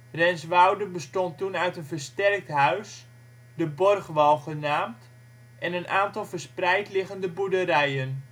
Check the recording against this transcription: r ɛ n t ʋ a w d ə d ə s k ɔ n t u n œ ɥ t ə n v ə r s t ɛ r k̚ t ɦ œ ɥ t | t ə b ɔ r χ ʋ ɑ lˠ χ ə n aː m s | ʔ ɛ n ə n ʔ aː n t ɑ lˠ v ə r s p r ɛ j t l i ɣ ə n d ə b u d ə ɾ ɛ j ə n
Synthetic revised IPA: r ɛ n s ʋ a w d ə b ə s t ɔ n t u n œ ɥ t ə n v ə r s t ɛ r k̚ t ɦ œ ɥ s | d ə b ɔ r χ ʋ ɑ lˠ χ ə n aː m t | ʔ ɛ n ə n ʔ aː n t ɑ lˠ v ə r s p r ɛ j t l ɪ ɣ ə n d ə b u d ə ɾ ɛ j ə n